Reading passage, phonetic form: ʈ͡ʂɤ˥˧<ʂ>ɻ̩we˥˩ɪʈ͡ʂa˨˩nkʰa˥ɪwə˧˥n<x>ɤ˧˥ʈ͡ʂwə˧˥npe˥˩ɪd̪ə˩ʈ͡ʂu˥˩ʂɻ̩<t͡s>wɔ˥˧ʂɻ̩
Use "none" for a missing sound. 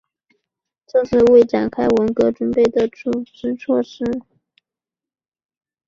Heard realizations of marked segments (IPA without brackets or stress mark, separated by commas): ʂ, k, t͡sʰ